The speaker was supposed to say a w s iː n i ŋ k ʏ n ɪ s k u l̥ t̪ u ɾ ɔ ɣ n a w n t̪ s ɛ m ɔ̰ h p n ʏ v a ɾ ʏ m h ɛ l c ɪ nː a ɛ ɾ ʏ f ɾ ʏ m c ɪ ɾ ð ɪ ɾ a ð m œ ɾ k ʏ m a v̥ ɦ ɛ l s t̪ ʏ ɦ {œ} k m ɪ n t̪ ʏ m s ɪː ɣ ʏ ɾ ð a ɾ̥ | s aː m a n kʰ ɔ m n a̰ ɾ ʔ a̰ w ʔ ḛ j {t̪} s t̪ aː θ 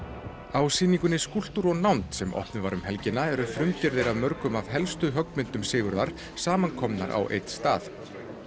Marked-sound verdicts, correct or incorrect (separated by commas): correct, correct